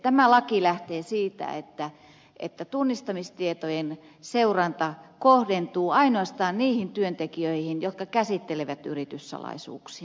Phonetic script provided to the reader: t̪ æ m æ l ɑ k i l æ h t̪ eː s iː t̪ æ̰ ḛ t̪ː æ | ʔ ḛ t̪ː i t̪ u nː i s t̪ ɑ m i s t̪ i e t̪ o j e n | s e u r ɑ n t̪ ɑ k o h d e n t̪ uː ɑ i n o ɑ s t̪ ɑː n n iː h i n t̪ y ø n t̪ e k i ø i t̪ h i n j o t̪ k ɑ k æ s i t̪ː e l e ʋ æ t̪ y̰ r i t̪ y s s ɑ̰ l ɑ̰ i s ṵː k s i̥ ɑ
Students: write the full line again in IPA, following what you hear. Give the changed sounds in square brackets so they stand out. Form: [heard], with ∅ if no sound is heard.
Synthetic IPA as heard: t̪ æ m æ l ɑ k i l æ h t̪ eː s iː t̪ æ̰ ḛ t̪ː æ | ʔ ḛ t̪ː [æ] t̪ u nː i s t̪ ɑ m i s t̪ i e t̪ o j e n | s e u r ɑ n t̪ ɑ k o h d e n t̪ uː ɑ i n o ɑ s t̪ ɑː n n iː h i n t̪ y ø n t̪ e k i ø i [∅] h i n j o t̪ k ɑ k æ s i t̪ː e l e ʋ æ t̪ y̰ r i t̪ y s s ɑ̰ l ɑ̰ i s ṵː k s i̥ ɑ